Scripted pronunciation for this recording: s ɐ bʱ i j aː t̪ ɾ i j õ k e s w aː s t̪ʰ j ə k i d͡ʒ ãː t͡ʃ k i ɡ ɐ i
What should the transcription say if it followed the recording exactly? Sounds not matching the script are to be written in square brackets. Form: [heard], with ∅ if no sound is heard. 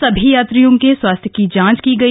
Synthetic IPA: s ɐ bʱ i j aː t̪ ɾ i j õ k e s w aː s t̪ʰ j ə k i d͡ʒ ãː t͡ʃ k i ɡ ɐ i